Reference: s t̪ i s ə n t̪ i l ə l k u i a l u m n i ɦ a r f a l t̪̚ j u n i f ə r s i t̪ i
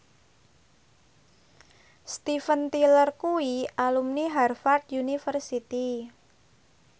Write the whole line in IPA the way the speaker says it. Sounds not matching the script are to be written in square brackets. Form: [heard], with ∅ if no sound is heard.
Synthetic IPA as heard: s t̪ i [f] ə n t̪ i l ə [r] k u i a l u m n i ɦ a r f a [r] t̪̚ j u n i f ə r s i t̪ i